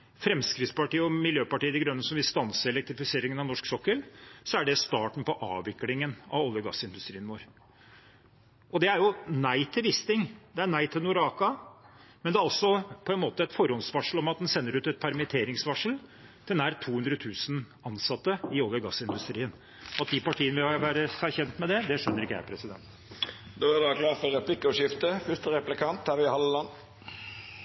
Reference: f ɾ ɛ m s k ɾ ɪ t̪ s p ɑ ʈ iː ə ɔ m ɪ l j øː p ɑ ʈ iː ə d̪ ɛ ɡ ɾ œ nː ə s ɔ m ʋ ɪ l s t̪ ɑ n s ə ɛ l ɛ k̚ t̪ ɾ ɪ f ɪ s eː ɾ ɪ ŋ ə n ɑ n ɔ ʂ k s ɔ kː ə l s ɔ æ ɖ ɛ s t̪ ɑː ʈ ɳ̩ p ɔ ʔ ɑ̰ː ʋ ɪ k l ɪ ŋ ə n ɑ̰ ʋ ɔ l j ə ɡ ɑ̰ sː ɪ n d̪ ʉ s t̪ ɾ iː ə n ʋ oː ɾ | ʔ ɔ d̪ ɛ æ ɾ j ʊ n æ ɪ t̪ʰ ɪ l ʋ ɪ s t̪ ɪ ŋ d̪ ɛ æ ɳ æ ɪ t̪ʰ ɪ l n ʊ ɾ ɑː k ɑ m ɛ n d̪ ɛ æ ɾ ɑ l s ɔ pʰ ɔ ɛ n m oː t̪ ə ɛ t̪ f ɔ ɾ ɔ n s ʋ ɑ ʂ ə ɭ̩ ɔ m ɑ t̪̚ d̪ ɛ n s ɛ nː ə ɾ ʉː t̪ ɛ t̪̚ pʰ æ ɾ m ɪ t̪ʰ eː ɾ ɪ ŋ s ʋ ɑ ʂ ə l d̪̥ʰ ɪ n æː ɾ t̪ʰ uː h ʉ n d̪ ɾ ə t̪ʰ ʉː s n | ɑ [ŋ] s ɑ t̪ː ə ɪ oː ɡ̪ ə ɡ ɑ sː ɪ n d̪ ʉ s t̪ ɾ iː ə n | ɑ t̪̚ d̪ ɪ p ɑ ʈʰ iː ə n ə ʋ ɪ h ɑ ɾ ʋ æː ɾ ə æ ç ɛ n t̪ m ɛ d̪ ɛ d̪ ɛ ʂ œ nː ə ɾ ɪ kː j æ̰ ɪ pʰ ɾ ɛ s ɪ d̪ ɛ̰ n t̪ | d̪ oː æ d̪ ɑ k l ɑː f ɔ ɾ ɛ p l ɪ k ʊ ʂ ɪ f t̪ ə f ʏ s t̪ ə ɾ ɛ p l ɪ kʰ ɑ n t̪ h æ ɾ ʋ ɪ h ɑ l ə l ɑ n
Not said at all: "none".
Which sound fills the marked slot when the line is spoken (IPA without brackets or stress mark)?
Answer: n